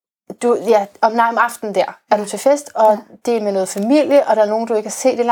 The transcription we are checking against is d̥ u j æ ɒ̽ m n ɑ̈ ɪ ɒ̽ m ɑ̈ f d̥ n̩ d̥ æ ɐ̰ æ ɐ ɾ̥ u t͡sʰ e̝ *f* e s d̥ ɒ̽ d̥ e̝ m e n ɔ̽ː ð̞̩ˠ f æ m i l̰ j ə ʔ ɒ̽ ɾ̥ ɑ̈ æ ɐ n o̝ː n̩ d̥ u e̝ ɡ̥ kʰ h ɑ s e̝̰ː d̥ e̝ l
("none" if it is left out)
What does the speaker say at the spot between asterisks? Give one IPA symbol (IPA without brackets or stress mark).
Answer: f